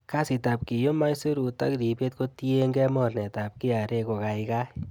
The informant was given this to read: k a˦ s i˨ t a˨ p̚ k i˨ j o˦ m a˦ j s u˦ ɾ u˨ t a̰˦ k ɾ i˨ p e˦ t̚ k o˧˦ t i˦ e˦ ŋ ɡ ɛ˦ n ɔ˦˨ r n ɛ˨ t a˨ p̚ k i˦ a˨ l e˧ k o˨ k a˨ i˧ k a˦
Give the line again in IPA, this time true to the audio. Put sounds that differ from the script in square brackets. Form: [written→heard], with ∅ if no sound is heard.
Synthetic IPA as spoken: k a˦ s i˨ t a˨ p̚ k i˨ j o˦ m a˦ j s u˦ ɾ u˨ t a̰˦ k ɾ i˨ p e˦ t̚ k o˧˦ t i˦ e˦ ŋ ɡ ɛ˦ [n→m] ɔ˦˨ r n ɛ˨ t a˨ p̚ k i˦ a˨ [l→ɾ] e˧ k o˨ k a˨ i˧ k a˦